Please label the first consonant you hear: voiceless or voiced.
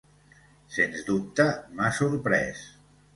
voiceless